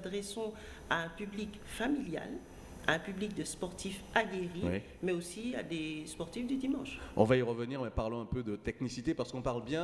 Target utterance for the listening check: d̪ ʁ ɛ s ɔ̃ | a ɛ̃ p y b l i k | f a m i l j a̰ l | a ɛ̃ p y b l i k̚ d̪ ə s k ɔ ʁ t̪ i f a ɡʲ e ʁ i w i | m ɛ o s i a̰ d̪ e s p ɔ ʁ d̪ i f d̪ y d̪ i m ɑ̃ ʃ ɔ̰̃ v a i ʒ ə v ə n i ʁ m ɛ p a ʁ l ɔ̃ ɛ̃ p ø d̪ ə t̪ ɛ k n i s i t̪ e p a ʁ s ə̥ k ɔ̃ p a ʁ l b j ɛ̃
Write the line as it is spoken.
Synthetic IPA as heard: d̪ ʁ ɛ s ɔ̃ | a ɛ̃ p y b l i k | f a m i l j a̰ l | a ɛ̃ p y b l i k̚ d̪ ə s p ɔ ʁ t̪ i f a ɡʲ e ʁ i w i | m ɛ o s i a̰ d̪ e s p ɔ ʁ t̪ i f d̪ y d̪ i m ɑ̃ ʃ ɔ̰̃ v a i ʁ ə v ə n i ʁ m ɛ p a ʁ l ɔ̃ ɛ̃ p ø d̪ ə t̪ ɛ k n i s i t̪ e p a ʁ s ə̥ k ɔ̃ p a ʁ l b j ɛ̃

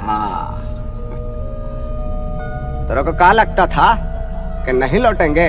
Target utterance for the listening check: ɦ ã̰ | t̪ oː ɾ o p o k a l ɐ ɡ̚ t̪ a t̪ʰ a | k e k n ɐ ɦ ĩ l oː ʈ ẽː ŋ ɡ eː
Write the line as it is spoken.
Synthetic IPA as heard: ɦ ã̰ | t̪ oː ɾ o k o k a l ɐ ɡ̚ t̪ a t̪ʰ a | k e n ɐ ɦ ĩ l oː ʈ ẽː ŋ ɡ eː

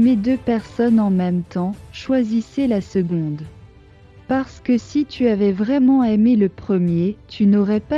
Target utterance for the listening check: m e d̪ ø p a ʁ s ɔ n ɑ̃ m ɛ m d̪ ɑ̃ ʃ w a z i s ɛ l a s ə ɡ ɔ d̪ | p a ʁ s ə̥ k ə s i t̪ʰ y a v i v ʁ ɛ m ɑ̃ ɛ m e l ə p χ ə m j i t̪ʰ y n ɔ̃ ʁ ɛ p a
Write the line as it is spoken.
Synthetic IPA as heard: m e d̪ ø p ɛ ʁ s ɔ n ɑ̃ m ɛ m t̪ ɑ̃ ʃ w a z i s ɛ l a s ə ɡ ɔ̃ d̪ | p a ʁ s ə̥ k ə s i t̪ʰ y a v ɛ v ʁ ɛ m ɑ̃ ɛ m e l ə p χ ə m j e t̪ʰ y n ɔ ʁ ɛ p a

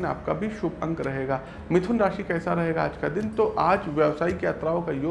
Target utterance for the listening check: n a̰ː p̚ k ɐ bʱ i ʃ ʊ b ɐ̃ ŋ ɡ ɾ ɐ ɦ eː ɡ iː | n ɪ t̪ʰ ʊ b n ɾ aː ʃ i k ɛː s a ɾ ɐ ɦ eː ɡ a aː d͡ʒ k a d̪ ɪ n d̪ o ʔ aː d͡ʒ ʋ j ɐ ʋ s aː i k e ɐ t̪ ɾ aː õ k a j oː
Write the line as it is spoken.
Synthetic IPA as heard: n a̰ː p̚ k a bʱ i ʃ ʊ b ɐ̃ ŋ ɡ ɾ ɐ ɦ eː ɡ aː | m ɪ t̪ʰ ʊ n ɾ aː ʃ i k ɛː s a ɾ ɐ ɦ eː ɡ a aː d͡ʒ k a d̪ ɪ n t̪ o ʔ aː d͡ʒ ʋ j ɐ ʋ s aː i k e ɐ t̪ ɾ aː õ k a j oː

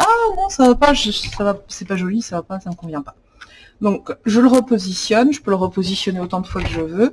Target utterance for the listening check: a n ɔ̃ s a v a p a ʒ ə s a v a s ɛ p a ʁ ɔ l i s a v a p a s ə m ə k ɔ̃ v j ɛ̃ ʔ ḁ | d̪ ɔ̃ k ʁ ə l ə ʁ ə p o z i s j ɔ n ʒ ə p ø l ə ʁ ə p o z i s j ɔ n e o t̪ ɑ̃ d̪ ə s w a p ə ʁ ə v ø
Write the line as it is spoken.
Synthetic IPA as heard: a n ɔ̃ s a v a p a ʒ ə s a v a s ɛ p a ʒ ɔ l i s a v a p a s a m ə k ɔ̃ v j ɛ̃ p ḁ | d̪ ɔ̃ k ʒ ə l ə ʁ ə p o z i s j ɔ n ʒ ə p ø l ə ʁ ə p o z i s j ɔ n e o t̪ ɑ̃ d̪ ə f w a k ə ʒ ə v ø

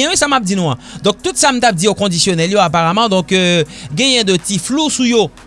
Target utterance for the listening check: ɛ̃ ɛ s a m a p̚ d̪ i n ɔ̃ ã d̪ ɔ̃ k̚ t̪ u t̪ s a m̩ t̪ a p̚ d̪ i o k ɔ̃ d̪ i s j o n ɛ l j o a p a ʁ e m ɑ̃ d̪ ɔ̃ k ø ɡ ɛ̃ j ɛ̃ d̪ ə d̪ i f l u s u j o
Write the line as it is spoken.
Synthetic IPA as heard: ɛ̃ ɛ s a m a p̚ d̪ i n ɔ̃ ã d̪ ɔ̃ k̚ t̪ u t̪ s a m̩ t̪ a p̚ d̪ i o k ɔ̃ d̪ i s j o n ɛ l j o a p a ʁ a m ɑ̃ d̪ ɔ̃ k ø ɡ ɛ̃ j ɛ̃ d̪ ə t̪ i f l u s u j o

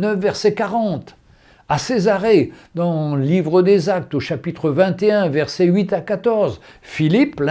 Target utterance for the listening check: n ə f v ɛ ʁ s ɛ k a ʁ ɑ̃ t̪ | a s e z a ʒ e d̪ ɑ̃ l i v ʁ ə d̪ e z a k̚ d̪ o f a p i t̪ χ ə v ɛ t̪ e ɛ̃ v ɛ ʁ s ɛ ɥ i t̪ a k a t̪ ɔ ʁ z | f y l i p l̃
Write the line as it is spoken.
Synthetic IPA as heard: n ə f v ɛ ʁ s ɛ k a ʁ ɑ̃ t̪ | a s e z a ʁ e d̪ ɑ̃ l i v ʁ ə d̪ e z a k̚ t̪ o ʃ a p i t̪ χ ə v ɛ̃ t̪ e ɛ̃ v ɛ ʁ s ɛ ɥ i t̪ a k a t̪ ɔ ʁ z | f i l i p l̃

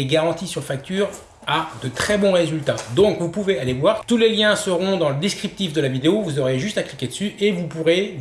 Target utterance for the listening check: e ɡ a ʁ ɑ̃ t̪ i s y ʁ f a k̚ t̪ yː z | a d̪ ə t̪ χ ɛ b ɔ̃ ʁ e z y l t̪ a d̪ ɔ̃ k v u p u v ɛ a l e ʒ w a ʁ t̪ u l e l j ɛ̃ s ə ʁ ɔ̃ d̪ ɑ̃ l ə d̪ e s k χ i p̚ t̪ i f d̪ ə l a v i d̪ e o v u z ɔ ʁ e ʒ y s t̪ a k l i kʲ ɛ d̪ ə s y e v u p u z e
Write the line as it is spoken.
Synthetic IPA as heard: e ɡ a ʁ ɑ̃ t̪ i s y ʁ f a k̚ t̪ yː ʁ | a d̪ ə t̪ χ ɛ b ɔ̃ ʁ e z y l t̪ a d̪ ɔ̃ k v u p u v e a l e v w a ʁ t̪ u l e l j ɛ̃ s ə ʁ ɔ̃ d̪ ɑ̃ l ə d̪ e s k χ i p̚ t̪ i f d̪ ə l a v i d̪ e o v u z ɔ ʁ e ʒ y s t̪ a k l i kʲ e d̪ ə s y e v u p u ʁ e

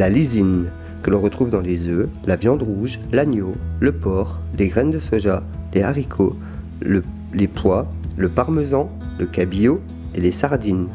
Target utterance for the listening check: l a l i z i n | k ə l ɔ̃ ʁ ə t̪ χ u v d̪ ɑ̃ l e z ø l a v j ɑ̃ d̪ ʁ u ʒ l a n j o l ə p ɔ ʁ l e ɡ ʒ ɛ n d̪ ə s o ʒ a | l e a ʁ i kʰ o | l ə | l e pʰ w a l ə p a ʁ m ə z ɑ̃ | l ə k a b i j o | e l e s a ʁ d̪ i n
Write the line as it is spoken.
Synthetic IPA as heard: l a l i z i n | k ə l ɔ̃ ʁ ə t̪ χ u v d̪ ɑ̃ l e z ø l a v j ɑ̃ d̪ ʁ u ʒ l a n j o l ə p ɔ ʁ l e ɡ ʁ ɛ n d̪ ə s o ʒ a | l e a ʁ i kʰ o | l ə | l e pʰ w a l ə p a ʁ m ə z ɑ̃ | l ə k a b i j o | e l e s a ʁ d̪ i n

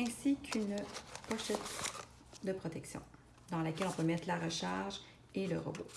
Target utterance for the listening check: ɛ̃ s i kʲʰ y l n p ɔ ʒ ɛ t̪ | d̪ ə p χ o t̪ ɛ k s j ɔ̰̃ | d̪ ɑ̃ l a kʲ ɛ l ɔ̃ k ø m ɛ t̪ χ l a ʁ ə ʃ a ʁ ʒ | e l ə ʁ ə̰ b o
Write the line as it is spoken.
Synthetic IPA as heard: ɛ̃ s i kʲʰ y n p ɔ ʃ ɛ t̪ | d̪ ə p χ ɔ t̪ ɛ k s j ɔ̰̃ | d̪ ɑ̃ l a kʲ ɛ l ɔ̃ p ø m ɛ t̪ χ l a ʁ ə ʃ a ʁ ʒ | e l ə ʁ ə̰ b o

